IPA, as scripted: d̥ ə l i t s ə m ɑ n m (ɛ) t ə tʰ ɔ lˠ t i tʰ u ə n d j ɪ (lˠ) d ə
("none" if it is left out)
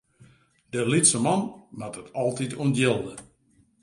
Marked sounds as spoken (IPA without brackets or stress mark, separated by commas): a, lˠ